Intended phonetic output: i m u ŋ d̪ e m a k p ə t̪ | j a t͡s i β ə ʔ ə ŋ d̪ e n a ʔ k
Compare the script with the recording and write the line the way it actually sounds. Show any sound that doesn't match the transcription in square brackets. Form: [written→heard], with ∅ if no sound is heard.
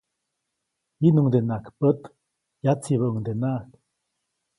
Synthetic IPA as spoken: i [m→n] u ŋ d̪ e [m→n] a k p ə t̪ | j a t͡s i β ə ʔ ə ŋ d̪ e n a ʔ k